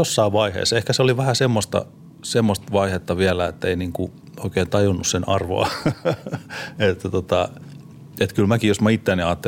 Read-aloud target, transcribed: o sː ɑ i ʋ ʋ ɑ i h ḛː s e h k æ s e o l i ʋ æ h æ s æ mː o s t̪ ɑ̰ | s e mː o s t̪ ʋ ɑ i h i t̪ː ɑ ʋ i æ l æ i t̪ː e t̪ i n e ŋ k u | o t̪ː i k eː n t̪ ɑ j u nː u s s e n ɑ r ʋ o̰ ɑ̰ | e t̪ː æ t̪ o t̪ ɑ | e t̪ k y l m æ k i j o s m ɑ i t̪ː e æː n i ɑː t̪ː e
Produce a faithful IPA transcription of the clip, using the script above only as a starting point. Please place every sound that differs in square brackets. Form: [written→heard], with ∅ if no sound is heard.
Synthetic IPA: o sː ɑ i ʋ ʋ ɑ i h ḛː s e h k æ s e o l i ʋ æ h æ s [æ→e] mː o s t̪ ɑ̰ | s e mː o s t̪ ʋ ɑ i h [i→e] t̪ː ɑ ʋ i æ l æ [i→e] t̪ː e [t̪→∅] i n [e→i] ŋ k u | o [t̪ː→∅] i k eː n t̪ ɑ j u nː u s s e n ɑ r ʋ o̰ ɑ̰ | e t̪ː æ t̪ o t̪ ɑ | e t̪ k y l m æ k i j o s m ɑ i t̪ː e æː n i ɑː t̪ː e